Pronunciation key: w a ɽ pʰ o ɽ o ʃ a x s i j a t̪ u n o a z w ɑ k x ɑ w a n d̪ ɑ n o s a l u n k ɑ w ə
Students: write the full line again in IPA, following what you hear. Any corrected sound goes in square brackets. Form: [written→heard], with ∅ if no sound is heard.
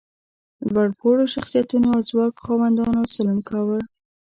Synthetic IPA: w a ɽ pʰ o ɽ o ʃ a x s i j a t̪ u n o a z w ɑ k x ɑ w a n d̪ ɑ n o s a l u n k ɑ w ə

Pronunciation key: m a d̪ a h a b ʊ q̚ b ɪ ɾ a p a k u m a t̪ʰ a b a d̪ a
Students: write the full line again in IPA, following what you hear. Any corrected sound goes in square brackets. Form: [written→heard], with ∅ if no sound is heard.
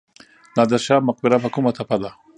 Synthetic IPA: [m→n] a d̪ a [h→ʃ] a [b→m] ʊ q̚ b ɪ ɾ a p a k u m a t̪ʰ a [b→p] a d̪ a

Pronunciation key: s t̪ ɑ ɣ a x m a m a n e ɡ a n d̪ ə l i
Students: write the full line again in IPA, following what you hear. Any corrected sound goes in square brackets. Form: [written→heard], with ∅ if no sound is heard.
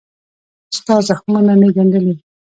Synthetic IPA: s t̪ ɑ [ɣ→z] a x m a [m→n] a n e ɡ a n d̪ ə l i

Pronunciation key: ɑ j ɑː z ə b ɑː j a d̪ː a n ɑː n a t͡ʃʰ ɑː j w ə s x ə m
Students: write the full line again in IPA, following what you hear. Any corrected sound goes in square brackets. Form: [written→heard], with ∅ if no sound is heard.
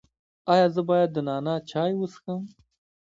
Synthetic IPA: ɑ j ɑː z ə b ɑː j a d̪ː [a→ə] n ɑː n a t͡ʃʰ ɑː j w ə s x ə m

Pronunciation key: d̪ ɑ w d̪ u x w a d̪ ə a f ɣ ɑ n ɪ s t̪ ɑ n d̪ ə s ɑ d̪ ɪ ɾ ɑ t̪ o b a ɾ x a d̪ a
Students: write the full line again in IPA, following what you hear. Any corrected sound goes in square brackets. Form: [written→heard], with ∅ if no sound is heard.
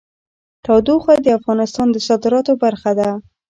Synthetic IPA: [d̪→t̪] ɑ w d̪ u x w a d̪ ə a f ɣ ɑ n ɪ s t̪ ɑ n d̪ ə s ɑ d̪ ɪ ɾ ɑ t̪ o b a ɾ x a d̪ a

